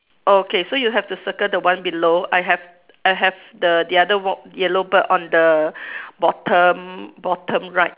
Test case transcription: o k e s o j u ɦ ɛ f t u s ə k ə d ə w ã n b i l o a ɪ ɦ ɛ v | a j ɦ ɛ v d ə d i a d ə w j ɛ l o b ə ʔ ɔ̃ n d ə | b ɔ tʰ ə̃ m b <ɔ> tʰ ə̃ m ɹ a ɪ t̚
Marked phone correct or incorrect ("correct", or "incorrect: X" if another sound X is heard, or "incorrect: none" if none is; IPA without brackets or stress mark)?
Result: correct